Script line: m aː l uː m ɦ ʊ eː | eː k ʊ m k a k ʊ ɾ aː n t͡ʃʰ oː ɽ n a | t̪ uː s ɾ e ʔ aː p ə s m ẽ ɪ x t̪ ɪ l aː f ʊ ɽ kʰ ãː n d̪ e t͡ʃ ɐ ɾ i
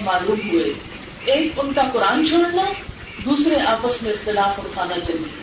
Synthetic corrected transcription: m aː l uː m ɦ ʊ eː | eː k ʊ n k a k ʊ ɾ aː n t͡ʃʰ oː ɽ n a | d̪ uː s ɾ e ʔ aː p ə s m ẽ ɪ x t̪ ɪ l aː f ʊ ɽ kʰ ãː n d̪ a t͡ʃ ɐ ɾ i